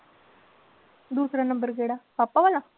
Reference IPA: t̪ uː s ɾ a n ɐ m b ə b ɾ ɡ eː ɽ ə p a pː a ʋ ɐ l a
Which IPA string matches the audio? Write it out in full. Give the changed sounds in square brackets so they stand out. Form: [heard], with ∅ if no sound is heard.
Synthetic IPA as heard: [d̪] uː s ɾ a n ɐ m b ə [∅] ɾ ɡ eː ɽ [a] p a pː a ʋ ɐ l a